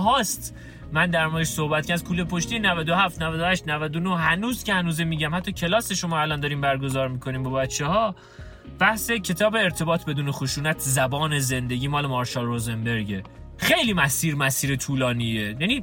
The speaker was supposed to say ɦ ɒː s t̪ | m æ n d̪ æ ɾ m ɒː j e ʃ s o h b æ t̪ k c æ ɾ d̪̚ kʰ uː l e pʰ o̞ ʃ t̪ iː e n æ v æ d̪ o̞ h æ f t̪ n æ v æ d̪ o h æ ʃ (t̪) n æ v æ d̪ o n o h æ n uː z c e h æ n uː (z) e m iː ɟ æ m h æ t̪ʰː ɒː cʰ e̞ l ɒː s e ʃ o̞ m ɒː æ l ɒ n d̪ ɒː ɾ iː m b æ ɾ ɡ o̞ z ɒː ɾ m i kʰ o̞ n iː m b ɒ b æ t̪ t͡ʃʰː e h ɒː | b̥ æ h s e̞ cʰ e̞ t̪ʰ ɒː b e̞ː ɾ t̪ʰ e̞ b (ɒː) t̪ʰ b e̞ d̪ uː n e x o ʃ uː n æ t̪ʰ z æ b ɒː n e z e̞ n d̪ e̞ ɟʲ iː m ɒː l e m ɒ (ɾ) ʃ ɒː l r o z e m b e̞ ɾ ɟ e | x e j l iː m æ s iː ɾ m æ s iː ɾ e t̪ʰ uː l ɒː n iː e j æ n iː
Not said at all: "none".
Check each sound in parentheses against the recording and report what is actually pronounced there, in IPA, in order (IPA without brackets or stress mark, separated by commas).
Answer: t̪, z, ɒː, ɾ